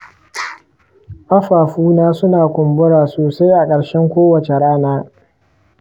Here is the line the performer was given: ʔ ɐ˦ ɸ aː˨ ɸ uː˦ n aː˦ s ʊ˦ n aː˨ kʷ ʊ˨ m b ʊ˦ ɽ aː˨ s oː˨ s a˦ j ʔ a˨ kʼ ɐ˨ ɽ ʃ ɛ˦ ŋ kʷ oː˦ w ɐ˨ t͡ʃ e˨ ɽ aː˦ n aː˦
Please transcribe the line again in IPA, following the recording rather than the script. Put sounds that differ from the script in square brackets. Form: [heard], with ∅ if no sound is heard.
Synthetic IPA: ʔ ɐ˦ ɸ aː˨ ɸ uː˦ n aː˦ s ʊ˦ n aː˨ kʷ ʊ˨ m b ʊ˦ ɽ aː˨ s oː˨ s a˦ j ʔ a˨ kʼ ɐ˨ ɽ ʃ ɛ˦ ŋ kʷ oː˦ w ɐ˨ t͡ʃ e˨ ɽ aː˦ n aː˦

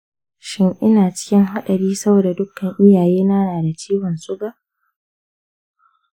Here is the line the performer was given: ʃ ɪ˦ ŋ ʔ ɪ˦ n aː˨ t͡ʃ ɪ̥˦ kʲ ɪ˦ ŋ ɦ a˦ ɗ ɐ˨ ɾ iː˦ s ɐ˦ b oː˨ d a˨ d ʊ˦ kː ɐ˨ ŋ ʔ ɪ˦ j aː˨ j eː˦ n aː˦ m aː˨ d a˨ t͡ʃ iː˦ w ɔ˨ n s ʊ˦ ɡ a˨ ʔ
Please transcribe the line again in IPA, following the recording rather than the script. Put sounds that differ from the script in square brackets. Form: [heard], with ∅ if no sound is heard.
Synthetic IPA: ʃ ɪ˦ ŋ ʔ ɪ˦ n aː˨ t͡ʃ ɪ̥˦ kʲ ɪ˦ ŋ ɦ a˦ ɗ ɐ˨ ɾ iː˦ s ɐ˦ b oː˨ d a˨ d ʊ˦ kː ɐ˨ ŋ ʔ ɪ˦ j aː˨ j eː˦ n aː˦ [n] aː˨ d a˨ t͡ʃ iː˦ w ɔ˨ n s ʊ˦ ɡ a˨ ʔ

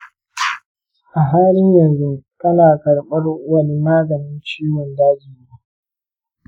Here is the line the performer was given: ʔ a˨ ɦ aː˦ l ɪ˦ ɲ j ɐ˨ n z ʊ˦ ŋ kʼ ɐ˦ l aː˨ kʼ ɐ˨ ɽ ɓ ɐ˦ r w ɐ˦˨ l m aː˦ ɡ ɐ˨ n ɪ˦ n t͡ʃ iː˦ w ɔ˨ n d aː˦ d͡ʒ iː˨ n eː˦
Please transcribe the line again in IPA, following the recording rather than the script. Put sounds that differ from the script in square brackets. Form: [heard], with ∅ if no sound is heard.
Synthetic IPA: ʔ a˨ ɦ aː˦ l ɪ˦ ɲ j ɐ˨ n z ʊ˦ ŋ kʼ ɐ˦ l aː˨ [k] ɐ˨ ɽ ɓ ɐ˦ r w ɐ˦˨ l m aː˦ ɡ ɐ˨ n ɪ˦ n t͡ʃ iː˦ w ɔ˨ n d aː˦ d͡ʒ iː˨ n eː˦

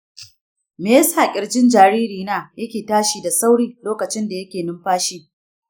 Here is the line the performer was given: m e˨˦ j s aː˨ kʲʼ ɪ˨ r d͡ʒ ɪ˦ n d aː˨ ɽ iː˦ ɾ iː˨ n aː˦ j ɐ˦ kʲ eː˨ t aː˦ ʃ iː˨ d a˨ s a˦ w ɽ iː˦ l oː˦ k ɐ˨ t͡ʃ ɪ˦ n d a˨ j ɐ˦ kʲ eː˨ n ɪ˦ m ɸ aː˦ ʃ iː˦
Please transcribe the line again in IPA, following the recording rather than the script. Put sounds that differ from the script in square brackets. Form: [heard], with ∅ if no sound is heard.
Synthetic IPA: m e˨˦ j s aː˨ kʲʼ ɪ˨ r d͡ʒ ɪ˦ n [d͡ʒ] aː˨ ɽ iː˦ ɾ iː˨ n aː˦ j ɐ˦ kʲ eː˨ t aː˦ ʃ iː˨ d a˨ s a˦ w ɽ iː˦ l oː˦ k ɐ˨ t͡ʃ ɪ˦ n d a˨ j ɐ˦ kʲ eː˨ n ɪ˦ m ɸ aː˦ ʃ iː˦

